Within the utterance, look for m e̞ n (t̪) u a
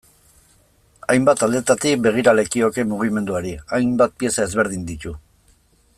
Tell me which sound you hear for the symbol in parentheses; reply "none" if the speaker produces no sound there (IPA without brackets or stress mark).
d̪